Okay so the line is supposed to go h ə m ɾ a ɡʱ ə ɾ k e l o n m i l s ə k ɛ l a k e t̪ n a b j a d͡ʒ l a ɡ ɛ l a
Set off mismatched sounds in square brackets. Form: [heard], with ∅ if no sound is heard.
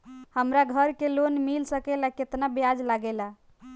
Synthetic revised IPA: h ə m ɾ a ɡʱ ə ɾ k e l o n m i l s ə k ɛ l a k e t̪ n a b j a d͡ʒ l a ɡ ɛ l a